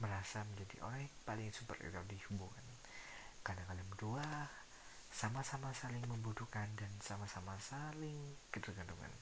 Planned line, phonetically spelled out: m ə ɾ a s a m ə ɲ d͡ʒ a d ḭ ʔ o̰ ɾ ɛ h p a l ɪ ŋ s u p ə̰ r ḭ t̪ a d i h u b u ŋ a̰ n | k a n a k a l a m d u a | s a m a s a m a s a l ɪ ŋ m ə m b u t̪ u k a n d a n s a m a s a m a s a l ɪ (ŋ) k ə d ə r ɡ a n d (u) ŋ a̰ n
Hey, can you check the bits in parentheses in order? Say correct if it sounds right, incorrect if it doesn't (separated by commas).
correct, correct